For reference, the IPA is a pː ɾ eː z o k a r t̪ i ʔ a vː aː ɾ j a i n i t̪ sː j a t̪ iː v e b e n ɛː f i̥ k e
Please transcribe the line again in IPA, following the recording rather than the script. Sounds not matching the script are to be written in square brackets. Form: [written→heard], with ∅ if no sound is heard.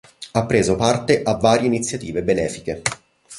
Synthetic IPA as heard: a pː ɾ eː z o [k→p] a r t̪ [i→e] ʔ a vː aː ɾ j [a→e] i n i t̪ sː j a t̪ iː v e b e n ɛː f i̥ k e